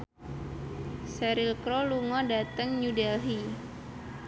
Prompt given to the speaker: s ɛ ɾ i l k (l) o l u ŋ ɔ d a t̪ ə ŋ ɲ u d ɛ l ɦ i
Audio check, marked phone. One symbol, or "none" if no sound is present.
ɾ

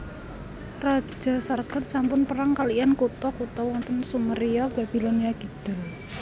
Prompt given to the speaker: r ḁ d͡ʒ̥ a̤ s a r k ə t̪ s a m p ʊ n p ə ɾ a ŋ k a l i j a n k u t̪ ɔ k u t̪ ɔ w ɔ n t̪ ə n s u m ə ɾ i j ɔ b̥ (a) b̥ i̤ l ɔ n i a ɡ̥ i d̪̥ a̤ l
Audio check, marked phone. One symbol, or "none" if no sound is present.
a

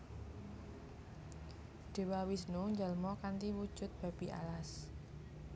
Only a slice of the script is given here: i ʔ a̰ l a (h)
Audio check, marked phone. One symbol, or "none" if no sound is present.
s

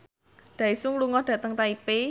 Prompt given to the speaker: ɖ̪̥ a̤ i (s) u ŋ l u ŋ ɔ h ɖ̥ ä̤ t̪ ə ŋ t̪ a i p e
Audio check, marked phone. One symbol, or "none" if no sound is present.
s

